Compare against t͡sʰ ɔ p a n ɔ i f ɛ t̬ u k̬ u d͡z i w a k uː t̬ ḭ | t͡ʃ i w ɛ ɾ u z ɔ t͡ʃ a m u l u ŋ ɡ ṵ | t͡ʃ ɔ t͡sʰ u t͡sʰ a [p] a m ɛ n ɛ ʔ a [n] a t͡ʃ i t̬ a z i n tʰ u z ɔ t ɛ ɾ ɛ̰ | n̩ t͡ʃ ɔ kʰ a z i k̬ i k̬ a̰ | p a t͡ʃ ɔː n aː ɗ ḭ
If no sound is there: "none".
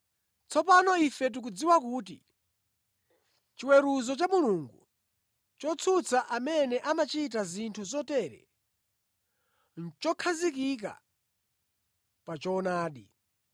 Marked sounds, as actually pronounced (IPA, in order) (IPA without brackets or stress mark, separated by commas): ʔ, m